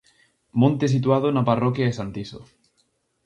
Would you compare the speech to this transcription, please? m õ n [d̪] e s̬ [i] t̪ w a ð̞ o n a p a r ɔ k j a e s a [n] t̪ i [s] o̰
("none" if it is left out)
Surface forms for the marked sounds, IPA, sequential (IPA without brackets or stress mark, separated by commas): t̪, i, n, s